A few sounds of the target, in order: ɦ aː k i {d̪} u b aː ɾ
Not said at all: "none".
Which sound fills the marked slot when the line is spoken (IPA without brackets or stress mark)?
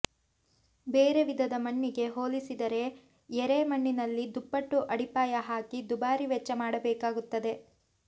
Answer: d̪